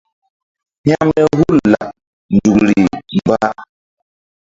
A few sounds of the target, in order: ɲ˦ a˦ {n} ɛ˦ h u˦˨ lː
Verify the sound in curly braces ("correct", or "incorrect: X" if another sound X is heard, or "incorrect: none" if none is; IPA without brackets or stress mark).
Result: incorrect: m